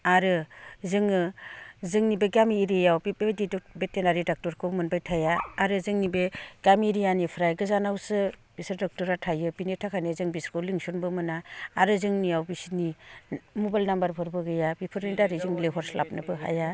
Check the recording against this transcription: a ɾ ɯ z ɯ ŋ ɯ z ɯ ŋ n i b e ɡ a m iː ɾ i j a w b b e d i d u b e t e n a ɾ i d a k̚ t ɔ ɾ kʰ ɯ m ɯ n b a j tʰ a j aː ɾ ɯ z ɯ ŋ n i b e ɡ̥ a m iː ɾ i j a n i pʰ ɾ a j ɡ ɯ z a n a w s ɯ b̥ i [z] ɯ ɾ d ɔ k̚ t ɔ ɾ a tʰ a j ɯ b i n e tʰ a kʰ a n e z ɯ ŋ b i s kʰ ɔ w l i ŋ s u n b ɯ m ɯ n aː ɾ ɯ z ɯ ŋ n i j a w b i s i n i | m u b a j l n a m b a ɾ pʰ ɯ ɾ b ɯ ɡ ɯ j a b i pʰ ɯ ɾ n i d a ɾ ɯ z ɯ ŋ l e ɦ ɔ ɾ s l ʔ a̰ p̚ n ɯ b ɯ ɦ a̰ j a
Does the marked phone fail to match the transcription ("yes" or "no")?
yes